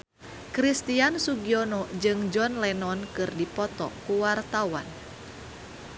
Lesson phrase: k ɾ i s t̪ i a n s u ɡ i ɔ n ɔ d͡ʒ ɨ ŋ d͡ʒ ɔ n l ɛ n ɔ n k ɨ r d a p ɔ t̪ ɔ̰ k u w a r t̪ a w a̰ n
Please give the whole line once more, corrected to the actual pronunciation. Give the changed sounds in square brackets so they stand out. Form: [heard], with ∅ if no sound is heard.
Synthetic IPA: k ɾ i s t̪ i a n s u ɡ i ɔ n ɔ d͡ʒ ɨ ŋ d͡ʒ ɔ n l ɛ n ɔ n k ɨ r d [i] p ɔ t̪ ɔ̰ k u w a r t̪ a w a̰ n